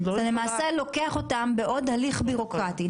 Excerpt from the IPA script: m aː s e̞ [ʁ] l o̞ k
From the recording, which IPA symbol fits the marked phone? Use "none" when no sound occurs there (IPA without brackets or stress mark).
none